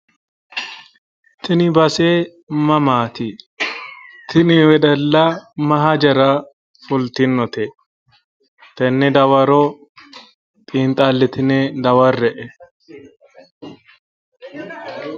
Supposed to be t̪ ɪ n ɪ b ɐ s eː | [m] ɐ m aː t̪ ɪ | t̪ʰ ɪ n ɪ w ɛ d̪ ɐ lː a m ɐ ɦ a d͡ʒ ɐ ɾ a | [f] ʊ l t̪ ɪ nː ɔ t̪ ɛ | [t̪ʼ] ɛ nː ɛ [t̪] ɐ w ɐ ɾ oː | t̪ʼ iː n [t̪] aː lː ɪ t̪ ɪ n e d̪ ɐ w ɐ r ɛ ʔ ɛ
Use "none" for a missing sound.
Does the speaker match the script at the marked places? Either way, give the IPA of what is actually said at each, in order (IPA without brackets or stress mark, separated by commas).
m, f, t̪, d̪, t̪ʼ